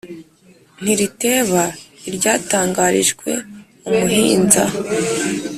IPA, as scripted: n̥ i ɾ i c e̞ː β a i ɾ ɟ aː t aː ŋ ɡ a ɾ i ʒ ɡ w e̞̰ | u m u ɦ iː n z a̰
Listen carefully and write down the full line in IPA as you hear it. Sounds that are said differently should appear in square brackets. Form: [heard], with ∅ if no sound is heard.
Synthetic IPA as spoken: n̥ i ɾ i [t] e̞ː β a i ɾ ɟ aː t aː ŋ ɡ a ɾ i ʒ ɡ w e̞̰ | u m u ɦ iː n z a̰